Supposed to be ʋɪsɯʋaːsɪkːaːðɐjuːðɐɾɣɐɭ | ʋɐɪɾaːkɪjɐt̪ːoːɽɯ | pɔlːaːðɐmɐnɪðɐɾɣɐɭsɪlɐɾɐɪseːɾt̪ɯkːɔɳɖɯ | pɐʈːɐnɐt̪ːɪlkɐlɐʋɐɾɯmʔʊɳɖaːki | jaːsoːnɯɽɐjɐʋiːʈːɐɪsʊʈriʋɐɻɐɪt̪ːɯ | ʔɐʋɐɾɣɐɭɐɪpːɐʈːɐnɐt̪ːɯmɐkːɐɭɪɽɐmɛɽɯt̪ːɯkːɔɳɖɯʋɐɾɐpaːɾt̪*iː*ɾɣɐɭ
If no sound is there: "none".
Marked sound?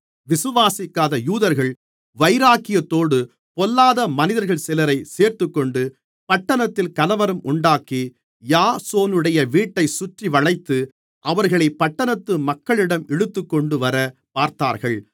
aː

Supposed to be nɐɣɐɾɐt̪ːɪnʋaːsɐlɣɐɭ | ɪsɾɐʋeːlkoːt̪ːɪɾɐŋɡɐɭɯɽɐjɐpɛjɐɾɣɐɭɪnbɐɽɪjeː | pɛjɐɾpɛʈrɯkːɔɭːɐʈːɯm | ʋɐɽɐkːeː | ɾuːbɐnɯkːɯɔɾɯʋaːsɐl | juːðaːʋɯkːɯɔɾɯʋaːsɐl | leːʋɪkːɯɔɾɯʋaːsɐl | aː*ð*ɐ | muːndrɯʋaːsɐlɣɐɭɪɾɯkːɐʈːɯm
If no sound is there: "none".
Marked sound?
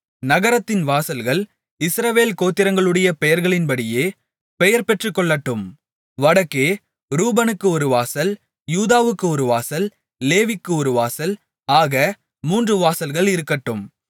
ɣ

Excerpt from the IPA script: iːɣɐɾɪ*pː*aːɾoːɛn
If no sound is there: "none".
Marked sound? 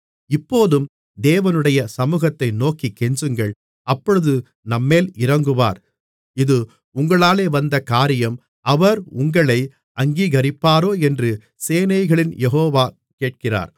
pː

